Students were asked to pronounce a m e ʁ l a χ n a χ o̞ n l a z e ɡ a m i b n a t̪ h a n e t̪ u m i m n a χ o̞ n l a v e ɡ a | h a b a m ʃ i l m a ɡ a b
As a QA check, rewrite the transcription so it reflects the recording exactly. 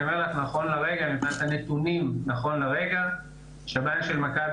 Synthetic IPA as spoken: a m e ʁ l a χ n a χ o̞ n l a ʁ e ɡ a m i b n a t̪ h a n e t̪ u n i m n a χ o̞ n l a ʁ e ɡ a | ʃ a b a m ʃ e l m a k a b